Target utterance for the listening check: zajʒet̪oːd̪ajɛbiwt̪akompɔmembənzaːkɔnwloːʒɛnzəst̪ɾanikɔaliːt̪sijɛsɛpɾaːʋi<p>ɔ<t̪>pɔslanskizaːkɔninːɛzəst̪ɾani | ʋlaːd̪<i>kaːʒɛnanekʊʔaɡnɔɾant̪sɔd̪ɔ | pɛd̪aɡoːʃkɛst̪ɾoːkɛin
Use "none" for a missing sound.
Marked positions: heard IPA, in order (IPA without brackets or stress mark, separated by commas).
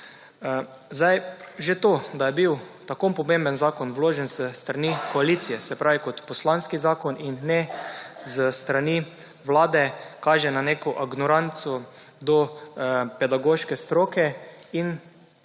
k, t̪, ɛ